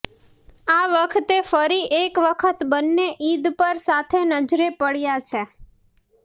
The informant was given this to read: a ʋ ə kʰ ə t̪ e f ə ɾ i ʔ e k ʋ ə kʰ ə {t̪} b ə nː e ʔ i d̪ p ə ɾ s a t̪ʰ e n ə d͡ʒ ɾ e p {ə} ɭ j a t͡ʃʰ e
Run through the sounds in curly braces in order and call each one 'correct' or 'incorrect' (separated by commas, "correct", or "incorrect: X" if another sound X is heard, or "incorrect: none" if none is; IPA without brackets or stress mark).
correct, correct